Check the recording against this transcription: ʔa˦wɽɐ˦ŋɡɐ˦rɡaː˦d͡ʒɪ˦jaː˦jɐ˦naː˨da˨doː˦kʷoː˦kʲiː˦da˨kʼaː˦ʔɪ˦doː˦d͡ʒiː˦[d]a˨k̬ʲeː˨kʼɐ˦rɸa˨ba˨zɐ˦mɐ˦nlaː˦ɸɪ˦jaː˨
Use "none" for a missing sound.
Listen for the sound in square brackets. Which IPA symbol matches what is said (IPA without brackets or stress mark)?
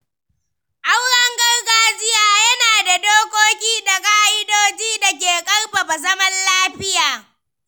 d